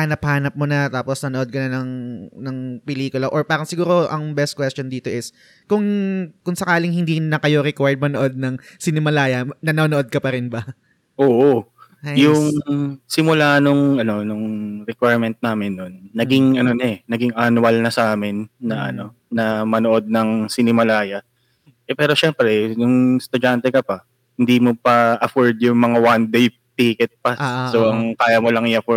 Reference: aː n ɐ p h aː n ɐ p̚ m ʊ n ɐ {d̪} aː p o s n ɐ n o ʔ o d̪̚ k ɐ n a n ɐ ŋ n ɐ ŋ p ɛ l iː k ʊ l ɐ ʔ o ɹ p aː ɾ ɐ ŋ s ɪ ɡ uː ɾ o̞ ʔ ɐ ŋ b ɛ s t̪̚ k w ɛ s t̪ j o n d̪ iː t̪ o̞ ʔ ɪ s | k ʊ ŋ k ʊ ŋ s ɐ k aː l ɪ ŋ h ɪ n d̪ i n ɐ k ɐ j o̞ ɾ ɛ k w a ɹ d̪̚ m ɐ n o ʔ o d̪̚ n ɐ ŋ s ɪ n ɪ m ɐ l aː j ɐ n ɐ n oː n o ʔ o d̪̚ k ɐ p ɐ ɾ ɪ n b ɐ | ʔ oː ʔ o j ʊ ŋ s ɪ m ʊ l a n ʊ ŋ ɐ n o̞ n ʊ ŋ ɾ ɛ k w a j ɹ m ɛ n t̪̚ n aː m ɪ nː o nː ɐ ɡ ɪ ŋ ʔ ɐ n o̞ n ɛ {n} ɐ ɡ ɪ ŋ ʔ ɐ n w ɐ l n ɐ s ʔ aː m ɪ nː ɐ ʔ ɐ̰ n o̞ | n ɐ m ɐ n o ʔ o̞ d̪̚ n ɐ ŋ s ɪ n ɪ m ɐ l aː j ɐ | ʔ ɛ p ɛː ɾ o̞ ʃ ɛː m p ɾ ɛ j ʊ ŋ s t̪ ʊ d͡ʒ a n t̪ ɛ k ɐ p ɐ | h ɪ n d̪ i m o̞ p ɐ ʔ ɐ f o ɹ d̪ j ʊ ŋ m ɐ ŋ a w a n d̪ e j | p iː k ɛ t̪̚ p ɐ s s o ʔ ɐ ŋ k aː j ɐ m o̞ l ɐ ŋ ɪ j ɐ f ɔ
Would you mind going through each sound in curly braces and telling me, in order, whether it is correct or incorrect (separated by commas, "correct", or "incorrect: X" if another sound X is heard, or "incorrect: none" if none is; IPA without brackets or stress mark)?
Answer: incorrect: t̪, correct